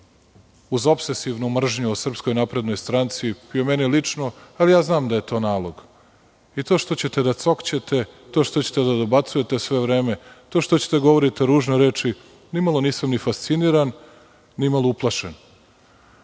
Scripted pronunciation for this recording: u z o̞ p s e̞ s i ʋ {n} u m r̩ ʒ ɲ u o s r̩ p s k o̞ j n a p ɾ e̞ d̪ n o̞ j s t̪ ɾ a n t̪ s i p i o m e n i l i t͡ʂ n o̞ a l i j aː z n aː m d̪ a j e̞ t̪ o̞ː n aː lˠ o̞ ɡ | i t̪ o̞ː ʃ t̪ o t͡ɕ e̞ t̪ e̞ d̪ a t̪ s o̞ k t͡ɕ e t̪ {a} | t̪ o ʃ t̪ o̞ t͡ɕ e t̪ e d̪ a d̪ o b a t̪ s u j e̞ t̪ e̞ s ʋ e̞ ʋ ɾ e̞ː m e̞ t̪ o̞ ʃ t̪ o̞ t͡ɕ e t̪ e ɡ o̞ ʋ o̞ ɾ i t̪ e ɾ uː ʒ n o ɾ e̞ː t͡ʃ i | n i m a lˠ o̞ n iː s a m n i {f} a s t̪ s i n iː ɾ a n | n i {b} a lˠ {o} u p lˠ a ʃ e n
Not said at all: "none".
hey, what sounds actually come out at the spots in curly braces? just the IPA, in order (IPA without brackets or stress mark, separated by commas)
n, e, f, m, o